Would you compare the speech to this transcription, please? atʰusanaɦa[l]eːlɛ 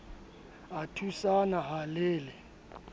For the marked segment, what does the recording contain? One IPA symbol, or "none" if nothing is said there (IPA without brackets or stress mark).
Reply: l